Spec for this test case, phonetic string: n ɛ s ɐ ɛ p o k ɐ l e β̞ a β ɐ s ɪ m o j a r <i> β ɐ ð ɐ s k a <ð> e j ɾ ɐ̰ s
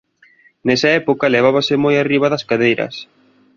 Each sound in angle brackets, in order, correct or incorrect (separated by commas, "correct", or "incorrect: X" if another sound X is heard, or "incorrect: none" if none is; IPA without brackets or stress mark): correct, correct